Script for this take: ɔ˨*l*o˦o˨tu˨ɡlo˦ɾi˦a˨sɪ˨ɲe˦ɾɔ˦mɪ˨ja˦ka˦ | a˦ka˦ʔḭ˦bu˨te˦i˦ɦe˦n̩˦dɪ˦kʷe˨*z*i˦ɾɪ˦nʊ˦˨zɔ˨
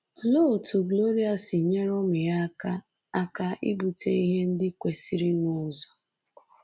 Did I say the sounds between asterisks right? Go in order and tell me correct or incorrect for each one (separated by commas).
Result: correct, incorrect